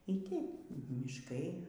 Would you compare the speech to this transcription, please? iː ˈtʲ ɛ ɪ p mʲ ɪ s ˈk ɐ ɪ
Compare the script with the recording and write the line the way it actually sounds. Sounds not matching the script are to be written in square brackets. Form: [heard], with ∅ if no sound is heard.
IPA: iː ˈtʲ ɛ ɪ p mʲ ɪ [ʃ] ˈk ɐ ɪ